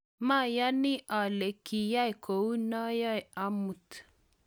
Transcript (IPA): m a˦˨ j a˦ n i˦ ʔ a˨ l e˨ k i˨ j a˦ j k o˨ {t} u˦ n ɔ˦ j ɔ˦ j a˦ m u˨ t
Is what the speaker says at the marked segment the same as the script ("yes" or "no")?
no